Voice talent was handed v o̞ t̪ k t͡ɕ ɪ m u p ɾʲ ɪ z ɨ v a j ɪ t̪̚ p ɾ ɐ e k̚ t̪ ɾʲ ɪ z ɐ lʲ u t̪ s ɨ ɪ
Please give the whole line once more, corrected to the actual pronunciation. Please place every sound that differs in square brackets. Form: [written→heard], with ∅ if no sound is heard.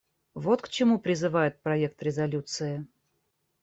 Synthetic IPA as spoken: v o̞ t̪ k t͡ɕ ɪ m u p ɾʲ ɪ z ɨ v a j ɪ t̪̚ p ɾ ɐ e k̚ t̪ ɾʲ ɪ z ɐ lʲ u t̪ s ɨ ɪ